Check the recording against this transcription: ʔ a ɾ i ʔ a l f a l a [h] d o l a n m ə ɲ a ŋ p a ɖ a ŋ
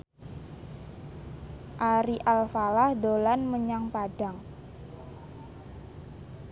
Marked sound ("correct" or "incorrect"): correct